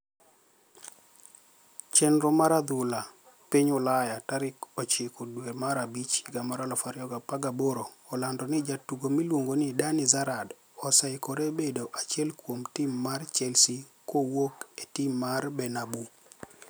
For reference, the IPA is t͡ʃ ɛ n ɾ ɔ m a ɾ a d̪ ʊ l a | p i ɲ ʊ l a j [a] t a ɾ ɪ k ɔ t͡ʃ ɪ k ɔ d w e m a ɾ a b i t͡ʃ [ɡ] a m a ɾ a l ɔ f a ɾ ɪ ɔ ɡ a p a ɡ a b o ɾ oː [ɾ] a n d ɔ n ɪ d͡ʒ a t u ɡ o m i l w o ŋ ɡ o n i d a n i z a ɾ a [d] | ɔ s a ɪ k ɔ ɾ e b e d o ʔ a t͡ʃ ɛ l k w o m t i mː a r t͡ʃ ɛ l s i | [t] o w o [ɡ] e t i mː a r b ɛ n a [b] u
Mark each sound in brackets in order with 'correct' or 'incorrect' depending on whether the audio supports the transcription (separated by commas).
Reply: correct, correct, incorrect, correct, incorrect, incorrect, correct